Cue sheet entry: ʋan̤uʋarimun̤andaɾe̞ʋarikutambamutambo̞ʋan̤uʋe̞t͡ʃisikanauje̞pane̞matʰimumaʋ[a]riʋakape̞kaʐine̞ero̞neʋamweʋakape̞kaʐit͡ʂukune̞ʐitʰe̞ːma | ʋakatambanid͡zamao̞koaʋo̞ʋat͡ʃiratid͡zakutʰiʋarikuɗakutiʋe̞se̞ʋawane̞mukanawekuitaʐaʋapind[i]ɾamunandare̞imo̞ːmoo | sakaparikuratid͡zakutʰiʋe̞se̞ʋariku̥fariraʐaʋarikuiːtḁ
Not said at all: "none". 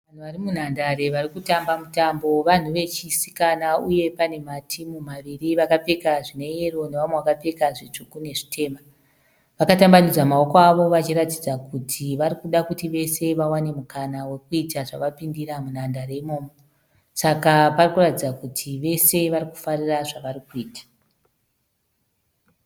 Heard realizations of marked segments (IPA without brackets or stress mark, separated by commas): i, i